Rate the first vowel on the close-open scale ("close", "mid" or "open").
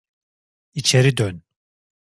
close